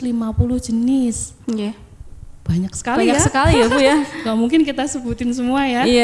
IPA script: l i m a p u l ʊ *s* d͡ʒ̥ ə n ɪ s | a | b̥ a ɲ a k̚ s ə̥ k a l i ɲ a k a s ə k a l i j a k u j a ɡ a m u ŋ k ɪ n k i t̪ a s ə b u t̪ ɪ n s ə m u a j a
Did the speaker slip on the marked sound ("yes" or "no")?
yes